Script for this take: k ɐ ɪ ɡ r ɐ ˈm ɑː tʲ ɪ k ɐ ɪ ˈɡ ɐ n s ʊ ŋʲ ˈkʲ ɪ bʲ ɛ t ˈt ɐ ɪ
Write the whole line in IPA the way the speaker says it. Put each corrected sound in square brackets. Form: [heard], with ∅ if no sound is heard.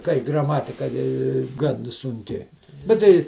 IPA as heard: k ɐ ɪ ɡ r ɐ ˈm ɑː tʲ ɪ k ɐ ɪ ˈɡ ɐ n s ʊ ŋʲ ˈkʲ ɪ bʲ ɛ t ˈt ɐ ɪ